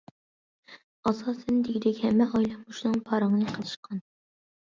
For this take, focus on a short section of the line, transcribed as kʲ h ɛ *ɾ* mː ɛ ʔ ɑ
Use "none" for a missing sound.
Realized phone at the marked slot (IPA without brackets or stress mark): none